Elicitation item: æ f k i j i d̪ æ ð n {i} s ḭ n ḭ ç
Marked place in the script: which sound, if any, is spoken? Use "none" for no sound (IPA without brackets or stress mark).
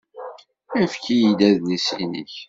i